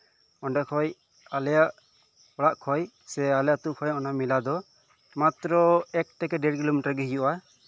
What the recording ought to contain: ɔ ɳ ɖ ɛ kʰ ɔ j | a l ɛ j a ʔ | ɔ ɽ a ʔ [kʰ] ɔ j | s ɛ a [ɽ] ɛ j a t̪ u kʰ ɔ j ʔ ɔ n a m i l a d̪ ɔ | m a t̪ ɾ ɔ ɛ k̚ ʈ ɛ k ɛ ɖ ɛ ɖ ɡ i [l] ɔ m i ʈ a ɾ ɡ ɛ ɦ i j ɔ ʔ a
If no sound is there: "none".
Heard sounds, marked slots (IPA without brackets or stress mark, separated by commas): kʰ, l, l